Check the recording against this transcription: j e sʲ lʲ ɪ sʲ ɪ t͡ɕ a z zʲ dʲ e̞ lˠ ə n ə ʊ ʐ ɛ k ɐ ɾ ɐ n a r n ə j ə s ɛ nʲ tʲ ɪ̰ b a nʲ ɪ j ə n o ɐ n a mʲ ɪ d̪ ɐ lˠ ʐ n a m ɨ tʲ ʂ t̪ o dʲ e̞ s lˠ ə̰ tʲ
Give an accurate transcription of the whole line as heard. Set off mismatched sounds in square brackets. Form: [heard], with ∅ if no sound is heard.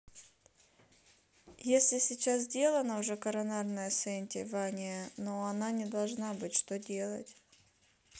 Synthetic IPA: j e sʲ lʲ ɪ sʲ ɪ t͡ɕ a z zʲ dʲ e̞ lˠ ə n ə ʊ ʐ ɛ k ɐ ɾ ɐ n a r n ə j ə s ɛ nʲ tʲ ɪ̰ [v] a nʲ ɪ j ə n o ɐ n a [nʲ] ɪ d̪ ɐ lˠ ʐ n a [b] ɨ tʲ ʂ t̪ o dʲ e̞ [∅] lˠ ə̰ tʲ